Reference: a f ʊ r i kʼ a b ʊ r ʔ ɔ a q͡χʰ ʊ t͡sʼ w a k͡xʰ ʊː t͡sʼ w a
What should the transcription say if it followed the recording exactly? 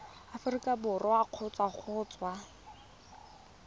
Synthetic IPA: a f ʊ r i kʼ a b ʊ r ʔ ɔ a q͡χʰ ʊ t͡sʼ w a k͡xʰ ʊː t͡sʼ w a